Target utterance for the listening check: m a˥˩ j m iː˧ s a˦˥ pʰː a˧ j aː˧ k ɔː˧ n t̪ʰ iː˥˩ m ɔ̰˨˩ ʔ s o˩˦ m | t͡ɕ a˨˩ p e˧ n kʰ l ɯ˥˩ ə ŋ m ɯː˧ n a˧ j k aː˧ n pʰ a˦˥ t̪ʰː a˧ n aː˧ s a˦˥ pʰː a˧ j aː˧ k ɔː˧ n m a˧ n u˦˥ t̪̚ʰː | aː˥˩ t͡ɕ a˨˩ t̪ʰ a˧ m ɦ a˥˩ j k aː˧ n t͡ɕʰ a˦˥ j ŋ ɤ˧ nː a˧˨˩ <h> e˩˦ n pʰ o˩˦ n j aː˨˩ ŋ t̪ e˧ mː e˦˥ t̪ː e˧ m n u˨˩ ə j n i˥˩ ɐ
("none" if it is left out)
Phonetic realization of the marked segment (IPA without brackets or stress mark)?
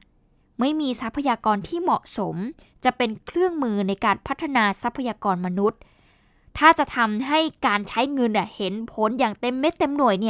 h